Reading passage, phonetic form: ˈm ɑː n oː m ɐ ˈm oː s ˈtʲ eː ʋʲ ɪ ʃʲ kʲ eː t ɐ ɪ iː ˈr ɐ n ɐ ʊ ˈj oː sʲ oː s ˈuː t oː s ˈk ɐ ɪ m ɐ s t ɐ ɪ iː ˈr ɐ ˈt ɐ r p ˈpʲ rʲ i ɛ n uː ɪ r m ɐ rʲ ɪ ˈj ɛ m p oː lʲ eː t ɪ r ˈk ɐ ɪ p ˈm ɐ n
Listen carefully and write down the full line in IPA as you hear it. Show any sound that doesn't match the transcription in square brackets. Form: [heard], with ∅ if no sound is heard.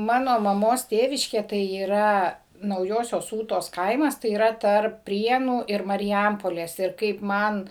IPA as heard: ˈm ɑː n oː m ɐ ˈm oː s ˈtʲ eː ʋʲ ɪ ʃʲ kʲ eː t ɐ ɪ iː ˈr ɐ n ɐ ʊ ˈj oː sʲ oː s ˈuː t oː s ˈk ɐ ɪ m ɐ s t ɐ ɪ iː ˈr ɐ ˈt ɐ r p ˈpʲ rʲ i ɛ n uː ɪ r m ɐ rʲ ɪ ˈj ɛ m p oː lʲ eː [s] ɪ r ˈk ɐ ɪ p ˈm ɐ n